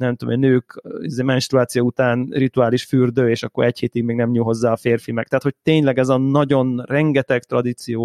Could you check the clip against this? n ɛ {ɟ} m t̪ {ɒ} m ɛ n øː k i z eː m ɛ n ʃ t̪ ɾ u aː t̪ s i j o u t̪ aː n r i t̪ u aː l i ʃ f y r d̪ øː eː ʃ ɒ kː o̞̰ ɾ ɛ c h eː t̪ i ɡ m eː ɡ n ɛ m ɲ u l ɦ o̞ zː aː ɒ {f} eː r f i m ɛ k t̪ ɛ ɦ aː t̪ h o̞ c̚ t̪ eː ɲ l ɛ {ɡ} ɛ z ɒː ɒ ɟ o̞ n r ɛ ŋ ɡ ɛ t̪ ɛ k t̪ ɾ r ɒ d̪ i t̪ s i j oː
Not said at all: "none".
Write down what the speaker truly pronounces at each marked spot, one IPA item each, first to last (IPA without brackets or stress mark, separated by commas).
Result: none, o, f, ɡ